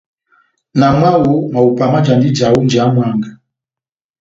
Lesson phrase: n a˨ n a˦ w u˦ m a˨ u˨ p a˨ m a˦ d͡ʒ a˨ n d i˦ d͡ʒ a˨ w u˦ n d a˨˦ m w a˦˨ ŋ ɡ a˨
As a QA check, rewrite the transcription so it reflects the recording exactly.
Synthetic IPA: n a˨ m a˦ w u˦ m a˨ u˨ p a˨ m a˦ d͡ʒ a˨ n d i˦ d͡ʒ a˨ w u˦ n d͡ʒ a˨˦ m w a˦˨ ŋ ɡ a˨